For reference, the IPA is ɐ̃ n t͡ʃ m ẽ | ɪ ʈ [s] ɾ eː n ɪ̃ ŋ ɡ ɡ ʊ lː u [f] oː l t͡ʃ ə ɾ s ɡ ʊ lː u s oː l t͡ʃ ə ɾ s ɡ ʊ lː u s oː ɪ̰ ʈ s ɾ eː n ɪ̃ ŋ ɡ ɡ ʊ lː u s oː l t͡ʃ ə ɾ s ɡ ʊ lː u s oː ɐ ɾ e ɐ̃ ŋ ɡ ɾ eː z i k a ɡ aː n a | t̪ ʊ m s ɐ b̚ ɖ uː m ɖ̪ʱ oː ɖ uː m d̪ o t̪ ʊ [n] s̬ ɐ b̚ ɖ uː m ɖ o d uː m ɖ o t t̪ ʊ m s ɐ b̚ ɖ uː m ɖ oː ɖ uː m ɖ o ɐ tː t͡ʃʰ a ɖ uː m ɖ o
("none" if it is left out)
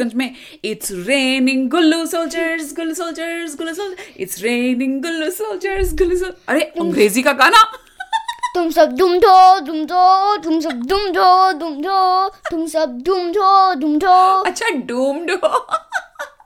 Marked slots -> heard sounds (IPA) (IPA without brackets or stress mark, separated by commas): s, s, m